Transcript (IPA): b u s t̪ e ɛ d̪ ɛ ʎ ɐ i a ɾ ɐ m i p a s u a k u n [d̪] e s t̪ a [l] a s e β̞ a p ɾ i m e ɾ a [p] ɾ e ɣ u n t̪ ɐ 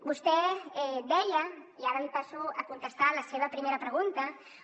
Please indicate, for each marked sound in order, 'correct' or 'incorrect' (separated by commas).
incorrect, correct, correct